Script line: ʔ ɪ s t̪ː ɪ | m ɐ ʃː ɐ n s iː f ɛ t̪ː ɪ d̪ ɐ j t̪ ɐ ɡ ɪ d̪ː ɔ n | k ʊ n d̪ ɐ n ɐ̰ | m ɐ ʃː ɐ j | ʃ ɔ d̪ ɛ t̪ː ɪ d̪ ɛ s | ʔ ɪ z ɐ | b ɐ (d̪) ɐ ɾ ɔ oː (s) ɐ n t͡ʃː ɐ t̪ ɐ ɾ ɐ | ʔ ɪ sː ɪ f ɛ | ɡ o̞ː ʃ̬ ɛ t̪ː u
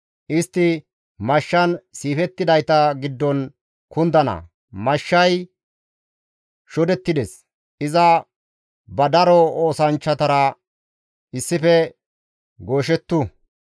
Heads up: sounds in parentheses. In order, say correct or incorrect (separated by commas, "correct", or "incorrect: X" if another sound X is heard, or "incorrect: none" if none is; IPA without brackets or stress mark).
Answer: correct, correct